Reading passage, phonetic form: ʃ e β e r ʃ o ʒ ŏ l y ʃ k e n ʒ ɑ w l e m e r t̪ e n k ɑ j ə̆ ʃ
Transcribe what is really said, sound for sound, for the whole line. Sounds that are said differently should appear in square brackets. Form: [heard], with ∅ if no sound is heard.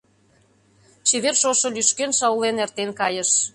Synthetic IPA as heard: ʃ e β e r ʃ o [ʃ] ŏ l y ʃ k e n [ʃ] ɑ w l e [n] e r t̪ e n k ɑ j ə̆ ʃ

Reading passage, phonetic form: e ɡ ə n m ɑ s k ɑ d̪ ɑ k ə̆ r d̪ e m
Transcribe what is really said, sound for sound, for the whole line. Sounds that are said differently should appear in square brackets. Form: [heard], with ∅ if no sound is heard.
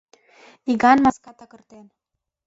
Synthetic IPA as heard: [i] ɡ [ɑ] n m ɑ s k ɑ [t̪] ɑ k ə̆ r [t̪] e [n]

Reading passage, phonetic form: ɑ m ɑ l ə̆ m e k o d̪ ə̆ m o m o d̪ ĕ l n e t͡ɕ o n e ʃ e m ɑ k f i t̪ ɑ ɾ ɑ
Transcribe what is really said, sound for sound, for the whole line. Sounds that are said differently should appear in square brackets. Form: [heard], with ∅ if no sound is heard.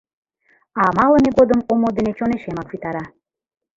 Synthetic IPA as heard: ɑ m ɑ l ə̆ m e [ɡ] o d̪ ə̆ m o m o d̪ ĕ [∅] n e t͡ɕ o n e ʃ e m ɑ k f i t̪ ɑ ɾ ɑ

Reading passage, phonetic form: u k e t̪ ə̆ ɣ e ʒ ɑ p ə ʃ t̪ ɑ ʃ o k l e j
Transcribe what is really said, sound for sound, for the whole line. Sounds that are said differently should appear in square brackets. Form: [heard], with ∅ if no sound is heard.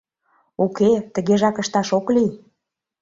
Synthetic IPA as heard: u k e t̪ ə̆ ɣ e ʒ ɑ [k] ə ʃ t̪ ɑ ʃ o k l [i] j

